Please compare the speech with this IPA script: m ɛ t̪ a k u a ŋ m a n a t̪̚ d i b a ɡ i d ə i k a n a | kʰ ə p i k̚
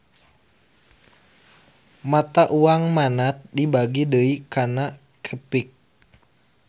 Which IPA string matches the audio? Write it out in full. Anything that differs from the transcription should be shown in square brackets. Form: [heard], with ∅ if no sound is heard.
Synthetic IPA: m [a] t̪ a [ʔ] u a ŋ m a n a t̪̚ d i b a ɡ i d ə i k a n a | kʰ ə p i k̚